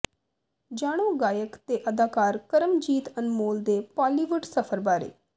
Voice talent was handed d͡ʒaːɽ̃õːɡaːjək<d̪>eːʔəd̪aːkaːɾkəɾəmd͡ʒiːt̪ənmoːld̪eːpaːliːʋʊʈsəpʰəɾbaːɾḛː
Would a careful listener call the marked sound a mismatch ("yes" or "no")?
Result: yes